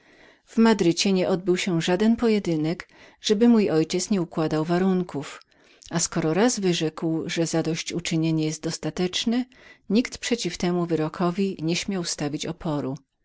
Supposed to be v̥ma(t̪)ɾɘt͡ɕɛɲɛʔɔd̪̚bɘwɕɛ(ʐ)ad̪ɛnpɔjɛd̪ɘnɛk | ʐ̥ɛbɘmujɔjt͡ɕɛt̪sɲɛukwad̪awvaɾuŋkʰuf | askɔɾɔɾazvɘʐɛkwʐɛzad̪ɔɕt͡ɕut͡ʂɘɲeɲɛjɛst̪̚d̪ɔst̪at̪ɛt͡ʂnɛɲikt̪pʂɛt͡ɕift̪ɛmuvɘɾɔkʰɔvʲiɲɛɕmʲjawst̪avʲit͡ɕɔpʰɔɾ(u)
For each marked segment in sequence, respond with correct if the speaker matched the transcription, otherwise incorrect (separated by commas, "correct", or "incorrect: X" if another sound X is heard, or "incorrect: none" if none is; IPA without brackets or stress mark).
incorrect: d̪, correct, correct